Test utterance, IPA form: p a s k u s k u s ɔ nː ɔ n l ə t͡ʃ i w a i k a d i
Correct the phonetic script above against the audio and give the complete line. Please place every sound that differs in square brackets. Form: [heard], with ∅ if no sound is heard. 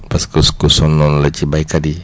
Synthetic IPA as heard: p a s k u s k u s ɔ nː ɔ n l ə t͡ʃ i [b] a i k a d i